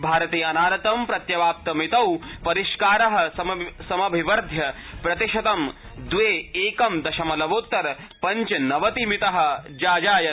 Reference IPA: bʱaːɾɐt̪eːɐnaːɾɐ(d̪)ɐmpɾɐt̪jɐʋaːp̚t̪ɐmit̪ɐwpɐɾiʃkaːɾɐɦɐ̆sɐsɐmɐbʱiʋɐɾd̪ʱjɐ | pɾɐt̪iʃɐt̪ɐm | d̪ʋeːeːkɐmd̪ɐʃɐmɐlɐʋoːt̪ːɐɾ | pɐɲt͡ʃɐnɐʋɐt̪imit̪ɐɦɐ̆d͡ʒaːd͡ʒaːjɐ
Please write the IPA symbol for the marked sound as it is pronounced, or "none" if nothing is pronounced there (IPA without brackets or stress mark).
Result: t̪